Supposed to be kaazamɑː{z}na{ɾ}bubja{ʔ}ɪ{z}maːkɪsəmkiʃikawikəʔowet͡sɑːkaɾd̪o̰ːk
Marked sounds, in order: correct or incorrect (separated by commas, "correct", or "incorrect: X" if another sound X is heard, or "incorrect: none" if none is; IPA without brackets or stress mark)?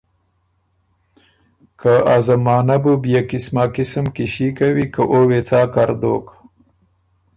incorrect: none, incorrect: none, incorrect: k, incorrect: s